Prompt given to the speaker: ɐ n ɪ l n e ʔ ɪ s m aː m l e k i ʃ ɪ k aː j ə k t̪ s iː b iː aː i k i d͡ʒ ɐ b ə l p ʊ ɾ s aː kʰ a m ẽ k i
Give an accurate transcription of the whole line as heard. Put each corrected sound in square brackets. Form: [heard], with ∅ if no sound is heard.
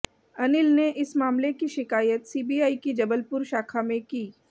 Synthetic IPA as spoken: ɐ n ɪ l n e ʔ ɪ s m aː m l e k i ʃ ɪ k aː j ə [∅] t̪ s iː b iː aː i k i d͡ʒ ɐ b ə l p ʊ ɾ [ʃ] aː kʰ a m ẽ k [iː]